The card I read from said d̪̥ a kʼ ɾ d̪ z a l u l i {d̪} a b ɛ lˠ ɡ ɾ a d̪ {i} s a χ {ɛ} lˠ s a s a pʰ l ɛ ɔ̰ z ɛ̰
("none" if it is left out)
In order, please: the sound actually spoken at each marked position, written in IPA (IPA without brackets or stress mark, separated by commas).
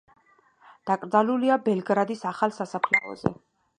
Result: none, i, a